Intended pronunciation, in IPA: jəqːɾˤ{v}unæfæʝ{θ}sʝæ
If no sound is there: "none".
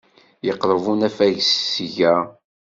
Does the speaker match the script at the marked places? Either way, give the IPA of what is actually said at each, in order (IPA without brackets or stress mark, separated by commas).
v, s